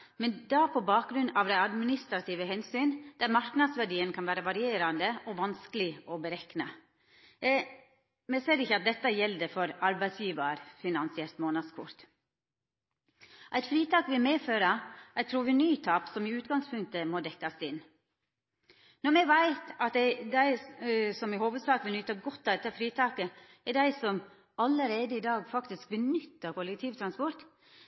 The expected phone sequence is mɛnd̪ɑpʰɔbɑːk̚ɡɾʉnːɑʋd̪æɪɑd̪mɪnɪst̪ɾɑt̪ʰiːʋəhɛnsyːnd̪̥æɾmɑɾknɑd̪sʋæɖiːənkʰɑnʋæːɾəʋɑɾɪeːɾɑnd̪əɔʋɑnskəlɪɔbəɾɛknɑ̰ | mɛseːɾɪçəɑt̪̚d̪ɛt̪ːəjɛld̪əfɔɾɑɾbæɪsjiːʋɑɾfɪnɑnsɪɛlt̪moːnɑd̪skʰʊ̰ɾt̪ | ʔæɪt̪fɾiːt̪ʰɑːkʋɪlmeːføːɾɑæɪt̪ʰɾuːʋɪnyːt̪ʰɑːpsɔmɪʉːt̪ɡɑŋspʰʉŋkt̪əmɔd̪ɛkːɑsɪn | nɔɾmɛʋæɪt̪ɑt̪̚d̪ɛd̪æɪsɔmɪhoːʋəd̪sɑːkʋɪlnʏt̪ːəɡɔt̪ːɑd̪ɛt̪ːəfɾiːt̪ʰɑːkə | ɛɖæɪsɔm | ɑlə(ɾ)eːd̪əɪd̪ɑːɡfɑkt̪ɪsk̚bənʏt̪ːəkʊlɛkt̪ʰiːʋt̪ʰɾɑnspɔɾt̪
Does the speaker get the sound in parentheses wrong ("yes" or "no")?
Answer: no